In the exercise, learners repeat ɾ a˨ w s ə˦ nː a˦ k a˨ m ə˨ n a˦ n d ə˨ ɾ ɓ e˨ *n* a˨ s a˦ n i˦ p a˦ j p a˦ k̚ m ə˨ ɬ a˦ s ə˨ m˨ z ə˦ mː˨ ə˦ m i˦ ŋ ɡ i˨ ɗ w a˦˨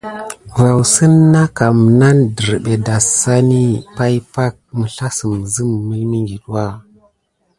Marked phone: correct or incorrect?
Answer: incorrect: d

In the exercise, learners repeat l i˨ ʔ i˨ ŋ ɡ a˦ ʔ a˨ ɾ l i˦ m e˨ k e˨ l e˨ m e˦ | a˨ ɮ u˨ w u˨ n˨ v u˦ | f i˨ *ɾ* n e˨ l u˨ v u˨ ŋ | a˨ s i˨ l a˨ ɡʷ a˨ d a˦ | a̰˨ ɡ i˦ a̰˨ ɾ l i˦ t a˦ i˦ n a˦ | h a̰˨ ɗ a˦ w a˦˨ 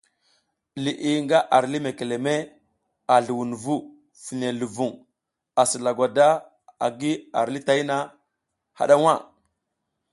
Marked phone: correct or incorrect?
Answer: incorrect: none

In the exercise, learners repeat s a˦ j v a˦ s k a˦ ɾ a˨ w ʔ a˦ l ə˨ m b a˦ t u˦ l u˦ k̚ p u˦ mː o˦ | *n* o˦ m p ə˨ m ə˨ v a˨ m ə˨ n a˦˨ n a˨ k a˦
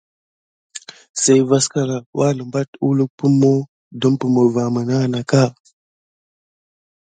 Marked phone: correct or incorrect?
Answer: incorrect: d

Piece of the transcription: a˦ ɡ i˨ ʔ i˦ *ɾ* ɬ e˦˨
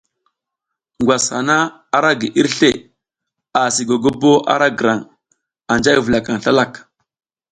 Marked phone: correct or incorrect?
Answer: correct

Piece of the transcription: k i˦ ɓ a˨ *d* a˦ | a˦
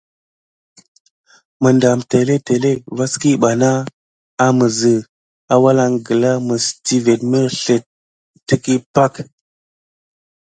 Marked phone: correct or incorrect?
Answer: incorrect: n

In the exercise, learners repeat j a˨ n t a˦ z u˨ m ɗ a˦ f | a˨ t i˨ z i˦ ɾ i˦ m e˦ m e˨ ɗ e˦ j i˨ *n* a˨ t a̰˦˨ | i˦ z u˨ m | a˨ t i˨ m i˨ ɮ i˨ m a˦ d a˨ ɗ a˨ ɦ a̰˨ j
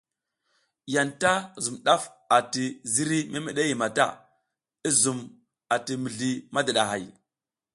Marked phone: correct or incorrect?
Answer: incorrect: m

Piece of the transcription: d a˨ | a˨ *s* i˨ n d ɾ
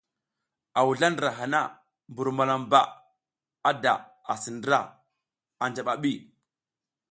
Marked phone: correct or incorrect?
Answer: correct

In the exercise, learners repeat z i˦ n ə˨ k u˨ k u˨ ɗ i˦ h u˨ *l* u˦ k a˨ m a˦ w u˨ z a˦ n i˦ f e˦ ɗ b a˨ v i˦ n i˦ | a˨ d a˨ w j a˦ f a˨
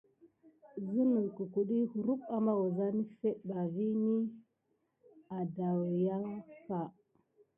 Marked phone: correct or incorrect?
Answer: incorrect: ɾ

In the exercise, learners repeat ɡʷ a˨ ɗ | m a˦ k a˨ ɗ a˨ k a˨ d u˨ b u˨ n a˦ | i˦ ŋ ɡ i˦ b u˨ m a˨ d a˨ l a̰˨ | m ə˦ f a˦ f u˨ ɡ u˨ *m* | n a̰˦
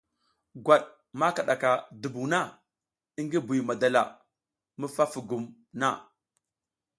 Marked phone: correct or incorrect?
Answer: correct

